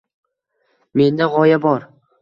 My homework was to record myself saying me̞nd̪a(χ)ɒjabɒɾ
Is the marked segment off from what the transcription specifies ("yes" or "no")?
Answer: yes